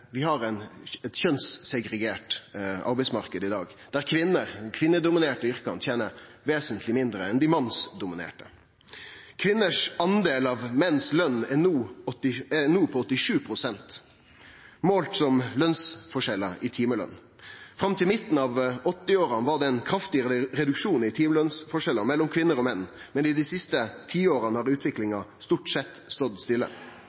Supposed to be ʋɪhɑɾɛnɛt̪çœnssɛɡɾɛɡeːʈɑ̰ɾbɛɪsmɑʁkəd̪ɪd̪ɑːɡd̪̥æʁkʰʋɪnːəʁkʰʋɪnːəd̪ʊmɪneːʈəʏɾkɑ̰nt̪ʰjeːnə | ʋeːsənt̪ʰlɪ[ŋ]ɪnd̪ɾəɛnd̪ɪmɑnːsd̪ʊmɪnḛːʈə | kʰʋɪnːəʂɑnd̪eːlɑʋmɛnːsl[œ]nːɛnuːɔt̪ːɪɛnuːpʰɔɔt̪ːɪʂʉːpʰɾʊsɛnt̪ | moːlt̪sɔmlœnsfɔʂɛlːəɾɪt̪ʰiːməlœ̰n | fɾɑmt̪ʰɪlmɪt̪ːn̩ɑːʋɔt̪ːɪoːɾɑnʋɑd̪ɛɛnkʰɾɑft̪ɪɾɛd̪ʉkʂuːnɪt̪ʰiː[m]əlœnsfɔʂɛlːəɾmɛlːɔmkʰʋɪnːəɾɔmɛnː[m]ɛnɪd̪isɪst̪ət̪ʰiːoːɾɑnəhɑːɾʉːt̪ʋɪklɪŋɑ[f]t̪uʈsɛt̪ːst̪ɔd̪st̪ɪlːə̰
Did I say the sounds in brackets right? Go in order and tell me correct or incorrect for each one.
incorrect: m, correct, correct, correct, incorrect: s

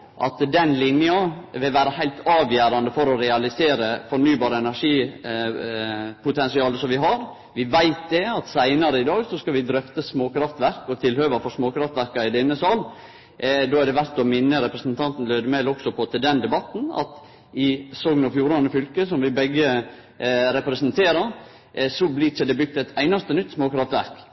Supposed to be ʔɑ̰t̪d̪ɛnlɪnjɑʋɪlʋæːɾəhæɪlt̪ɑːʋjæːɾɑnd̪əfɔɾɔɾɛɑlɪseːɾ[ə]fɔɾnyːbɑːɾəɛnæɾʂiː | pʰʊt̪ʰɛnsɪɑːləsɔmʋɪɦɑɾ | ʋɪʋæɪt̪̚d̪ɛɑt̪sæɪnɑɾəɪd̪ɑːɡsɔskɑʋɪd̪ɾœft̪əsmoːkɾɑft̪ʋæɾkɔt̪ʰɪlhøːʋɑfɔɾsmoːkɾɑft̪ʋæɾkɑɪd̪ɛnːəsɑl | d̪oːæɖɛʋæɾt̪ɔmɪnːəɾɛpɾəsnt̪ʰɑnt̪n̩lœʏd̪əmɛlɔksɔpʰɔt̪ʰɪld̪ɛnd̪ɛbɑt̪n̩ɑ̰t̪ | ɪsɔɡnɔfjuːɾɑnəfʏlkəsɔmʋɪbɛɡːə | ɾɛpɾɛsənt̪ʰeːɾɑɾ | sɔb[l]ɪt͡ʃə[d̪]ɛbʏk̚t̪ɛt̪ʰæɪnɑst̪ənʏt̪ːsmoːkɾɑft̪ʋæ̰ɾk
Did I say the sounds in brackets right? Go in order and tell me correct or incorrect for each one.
correct, correct, correct

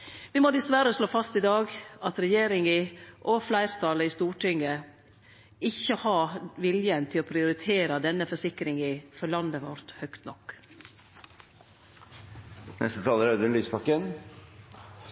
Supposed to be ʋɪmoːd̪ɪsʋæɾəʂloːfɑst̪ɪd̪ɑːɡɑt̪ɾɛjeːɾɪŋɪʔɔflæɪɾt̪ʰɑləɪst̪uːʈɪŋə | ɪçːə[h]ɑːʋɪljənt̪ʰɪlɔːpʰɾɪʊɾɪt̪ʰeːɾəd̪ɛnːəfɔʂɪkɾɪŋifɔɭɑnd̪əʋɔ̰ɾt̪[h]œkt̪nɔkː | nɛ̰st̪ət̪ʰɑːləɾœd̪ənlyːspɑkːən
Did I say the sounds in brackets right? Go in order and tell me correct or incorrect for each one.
correct, correct

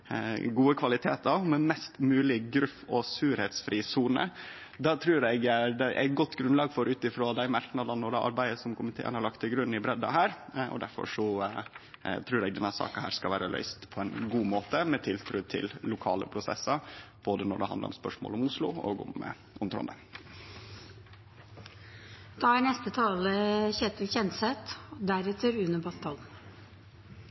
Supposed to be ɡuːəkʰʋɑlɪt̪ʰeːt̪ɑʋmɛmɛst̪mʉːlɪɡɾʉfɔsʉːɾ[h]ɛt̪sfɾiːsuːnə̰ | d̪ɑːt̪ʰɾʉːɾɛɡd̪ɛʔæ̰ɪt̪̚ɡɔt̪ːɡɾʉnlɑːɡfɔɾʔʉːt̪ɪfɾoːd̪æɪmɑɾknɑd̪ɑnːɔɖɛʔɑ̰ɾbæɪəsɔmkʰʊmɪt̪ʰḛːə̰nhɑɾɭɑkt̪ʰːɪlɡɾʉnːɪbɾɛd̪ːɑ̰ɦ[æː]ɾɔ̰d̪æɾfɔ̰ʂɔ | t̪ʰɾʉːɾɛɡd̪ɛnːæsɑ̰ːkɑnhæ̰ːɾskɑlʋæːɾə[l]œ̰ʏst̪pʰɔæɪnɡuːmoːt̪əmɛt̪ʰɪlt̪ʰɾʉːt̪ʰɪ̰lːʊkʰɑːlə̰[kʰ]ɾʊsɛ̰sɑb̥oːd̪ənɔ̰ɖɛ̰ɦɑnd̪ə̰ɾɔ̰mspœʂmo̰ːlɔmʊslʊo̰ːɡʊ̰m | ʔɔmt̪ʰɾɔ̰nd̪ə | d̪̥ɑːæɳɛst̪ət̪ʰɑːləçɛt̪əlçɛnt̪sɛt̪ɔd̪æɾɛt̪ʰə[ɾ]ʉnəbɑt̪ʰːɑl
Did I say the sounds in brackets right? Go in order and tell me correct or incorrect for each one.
correct, correct, correct, incorrect: pʰ, correct

